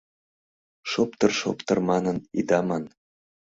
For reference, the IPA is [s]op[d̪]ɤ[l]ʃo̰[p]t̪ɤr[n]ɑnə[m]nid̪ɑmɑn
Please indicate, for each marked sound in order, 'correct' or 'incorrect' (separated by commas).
incorrect, incorrect, incorrect, correct, incorrect, incorrect